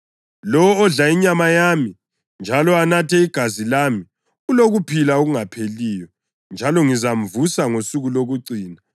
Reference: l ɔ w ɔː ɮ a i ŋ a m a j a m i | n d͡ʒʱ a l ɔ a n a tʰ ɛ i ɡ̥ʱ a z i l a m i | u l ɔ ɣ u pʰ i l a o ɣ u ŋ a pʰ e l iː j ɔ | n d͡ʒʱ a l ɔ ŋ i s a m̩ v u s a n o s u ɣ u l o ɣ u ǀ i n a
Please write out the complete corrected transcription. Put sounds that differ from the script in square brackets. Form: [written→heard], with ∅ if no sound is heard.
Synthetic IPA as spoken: l ɔ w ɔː ɮ a i [ŋ→ɲ] a m a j a m i | n d͡ʒʱ a l ɔ a n a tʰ ɛ i ɡ̥ʱ a z i l a m i | u l [ɔ→o] ɣ u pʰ i l a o ɣ u ŋ a pʰ e l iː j ɔ | n d͡ʒʱ a l ɔ ŋ i [s→z] a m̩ v u s a [n→ŋ] o s u ɣ u l o ɣ u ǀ [i→iː] n a